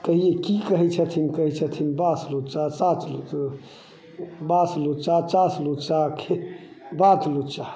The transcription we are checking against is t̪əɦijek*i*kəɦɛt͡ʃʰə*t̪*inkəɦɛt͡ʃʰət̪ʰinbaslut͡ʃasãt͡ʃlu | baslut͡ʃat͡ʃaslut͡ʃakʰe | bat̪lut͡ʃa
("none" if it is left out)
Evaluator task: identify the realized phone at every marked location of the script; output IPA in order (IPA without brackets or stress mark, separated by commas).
i, t̪ʰ